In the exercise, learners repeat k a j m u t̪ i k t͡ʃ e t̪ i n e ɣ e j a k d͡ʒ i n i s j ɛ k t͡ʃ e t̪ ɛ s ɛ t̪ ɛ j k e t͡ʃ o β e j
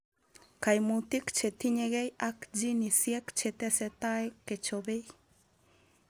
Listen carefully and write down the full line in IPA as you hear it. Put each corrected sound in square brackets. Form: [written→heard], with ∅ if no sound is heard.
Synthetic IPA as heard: k a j m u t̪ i k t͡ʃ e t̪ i [n→ɲ] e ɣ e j a k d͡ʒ i n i s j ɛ k t͡ʃ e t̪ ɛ s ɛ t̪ [ɛ→a] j k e t͡ʃ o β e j